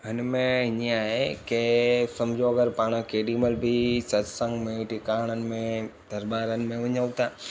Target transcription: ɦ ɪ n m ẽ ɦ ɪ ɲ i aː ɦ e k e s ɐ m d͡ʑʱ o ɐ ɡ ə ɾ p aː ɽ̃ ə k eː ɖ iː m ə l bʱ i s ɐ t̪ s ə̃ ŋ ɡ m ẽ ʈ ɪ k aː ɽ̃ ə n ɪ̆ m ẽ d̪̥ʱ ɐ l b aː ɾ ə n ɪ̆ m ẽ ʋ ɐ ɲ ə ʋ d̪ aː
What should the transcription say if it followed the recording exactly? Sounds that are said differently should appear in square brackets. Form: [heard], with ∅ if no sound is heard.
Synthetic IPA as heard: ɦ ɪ n m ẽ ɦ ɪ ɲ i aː ɦ e k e s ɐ m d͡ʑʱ o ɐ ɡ ə ɾ p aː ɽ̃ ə k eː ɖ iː m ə l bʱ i s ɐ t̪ s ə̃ ŋ ɡ m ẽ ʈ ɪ k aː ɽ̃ ə n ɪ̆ m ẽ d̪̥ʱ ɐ [ɾ] b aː ɾ ə n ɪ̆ m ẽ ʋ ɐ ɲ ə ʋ [t̪] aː